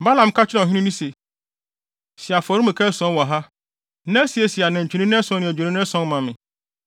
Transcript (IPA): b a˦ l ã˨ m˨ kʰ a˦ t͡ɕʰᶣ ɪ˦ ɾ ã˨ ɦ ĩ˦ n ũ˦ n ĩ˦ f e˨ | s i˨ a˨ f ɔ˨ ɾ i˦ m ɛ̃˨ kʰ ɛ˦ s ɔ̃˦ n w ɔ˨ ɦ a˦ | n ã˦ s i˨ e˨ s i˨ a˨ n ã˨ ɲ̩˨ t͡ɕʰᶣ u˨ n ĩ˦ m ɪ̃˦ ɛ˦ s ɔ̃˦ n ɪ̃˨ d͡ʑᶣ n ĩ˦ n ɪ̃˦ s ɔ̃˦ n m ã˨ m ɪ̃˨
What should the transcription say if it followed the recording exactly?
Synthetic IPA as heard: b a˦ l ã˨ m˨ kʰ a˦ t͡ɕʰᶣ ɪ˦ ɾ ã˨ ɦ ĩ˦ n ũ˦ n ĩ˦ s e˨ | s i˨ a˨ f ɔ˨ ɾ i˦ m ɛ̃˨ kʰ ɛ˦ s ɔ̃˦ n w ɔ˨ ɦ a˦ | n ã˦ s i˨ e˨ s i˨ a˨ n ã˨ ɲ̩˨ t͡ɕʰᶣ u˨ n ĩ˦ n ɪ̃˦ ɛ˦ s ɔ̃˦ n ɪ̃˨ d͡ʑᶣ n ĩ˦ n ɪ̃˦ s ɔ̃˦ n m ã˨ m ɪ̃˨